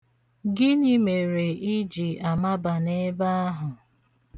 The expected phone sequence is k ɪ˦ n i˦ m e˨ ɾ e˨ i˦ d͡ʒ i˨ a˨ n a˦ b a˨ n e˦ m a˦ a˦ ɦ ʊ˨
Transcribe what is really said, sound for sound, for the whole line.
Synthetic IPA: ɡ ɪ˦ n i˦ m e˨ ɾ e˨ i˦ d͡ʒ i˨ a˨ m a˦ b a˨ n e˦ b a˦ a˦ ɦ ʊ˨